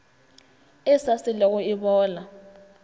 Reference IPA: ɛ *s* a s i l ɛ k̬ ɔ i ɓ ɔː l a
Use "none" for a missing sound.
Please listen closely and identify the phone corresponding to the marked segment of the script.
s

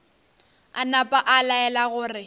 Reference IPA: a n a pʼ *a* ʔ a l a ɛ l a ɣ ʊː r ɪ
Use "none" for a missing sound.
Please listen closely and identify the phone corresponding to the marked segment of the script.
a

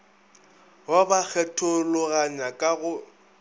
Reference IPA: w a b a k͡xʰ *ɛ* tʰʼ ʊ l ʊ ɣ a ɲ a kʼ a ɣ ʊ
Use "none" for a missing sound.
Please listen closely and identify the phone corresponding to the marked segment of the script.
ɛ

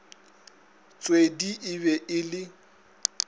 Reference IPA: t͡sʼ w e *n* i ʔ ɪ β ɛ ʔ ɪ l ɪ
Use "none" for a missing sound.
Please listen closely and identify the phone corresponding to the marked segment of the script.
d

